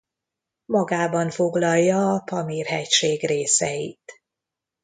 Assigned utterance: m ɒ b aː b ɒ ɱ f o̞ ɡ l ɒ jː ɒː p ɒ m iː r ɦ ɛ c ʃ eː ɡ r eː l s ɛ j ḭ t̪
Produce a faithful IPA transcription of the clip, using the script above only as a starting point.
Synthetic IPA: m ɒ ɡ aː b ɒ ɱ f o̞ ɡ l ɒ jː ɒː p ɒ m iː r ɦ ɛ c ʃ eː ɡ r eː s ɛ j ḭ t̪